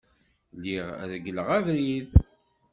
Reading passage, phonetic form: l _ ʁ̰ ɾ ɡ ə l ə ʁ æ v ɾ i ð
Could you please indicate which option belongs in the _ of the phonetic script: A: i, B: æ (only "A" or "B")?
A